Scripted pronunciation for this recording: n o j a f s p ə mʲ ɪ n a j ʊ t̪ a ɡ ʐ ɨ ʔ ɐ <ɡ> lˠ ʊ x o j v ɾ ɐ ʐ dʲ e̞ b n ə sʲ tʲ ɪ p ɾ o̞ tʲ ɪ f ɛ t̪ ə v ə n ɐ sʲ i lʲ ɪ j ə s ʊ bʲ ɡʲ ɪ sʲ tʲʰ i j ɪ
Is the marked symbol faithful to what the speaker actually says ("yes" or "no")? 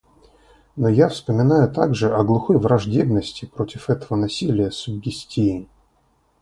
yes